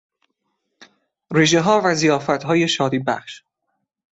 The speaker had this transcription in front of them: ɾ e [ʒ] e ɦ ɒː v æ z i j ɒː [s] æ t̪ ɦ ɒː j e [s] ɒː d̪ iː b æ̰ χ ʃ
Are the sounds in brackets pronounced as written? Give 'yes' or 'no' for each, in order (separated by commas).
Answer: yes, no, no